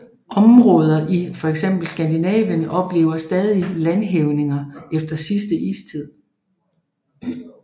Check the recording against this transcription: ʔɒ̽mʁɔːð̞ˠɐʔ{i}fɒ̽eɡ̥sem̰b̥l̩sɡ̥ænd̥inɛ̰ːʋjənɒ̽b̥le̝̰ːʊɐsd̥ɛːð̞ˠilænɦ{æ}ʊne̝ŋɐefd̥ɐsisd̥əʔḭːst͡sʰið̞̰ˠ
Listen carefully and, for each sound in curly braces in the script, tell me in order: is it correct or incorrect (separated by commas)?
correct, incorrect